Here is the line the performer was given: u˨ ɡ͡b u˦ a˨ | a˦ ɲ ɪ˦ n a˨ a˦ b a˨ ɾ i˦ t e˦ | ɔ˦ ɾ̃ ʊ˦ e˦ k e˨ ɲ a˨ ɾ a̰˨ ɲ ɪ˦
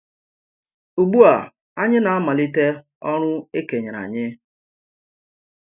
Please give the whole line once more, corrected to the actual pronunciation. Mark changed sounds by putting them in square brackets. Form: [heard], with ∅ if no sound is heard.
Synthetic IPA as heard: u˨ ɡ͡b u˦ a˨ | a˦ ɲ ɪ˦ n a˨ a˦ [m] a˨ [l] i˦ t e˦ | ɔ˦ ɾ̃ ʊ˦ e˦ k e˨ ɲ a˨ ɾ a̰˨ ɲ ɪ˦